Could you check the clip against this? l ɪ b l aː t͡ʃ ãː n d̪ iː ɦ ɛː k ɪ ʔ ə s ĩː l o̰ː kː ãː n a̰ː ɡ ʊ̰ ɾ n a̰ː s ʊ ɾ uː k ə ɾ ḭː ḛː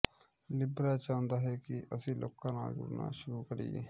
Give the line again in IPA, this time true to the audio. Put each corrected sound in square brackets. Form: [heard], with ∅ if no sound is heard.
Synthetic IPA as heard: l ɪ b [ɾ] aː t͡ʃ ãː n d̪ [aː] ɦ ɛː k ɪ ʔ ə s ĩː l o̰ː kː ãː n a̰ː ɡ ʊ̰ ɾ n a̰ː [ʃ] ʊ ɾ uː k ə ɾ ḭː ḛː

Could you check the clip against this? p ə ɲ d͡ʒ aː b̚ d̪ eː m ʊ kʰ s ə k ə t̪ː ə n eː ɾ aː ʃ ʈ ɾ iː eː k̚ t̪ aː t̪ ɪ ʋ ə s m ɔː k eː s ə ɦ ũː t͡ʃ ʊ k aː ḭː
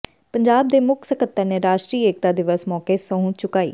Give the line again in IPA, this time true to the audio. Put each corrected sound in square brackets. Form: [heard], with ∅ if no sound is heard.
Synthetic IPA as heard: p ə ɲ d͡ʒ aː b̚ d̪ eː m ʊ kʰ s ə k ə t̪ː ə n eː ɾ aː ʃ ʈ ɾ iː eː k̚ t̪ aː [d̪] ɪ ʋ ə s m ɔː k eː s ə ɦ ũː t͡ʃ ʊ k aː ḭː

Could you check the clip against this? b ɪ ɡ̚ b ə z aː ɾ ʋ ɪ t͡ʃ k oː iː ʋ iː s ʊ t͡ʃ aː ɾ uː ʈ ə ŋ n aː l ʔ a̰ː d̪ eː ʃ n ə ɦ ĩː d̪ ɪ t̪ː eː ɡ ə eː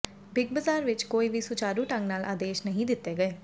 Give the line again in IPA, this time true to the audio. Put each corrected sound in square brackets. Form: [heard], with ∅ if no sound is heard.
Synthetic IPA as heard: b ɪ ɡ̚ b ə z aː ɾ ʋ ɪ t͡ʃ k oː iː ʋ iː s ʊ t͡ʃ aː ɾ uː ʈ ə ŋ n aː l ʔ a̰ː d̪ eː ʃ n ə ɦ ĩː d̪ ɪ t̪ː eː ɡ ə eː

